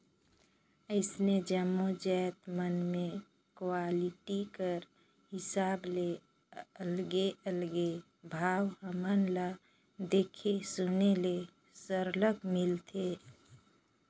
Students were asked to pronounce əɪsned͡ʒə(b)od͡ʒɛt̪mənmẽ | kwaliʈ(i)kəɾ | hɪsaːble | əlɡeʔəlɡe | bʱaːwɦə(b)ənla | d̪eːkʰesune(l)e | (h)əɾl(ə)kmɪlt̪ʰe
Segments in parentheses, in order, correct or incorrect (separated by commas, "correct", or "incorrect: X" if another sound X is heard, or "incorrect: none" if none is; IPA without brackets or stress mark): incorrect: m, correct, incorrect: m, correct, incorrect: s, correct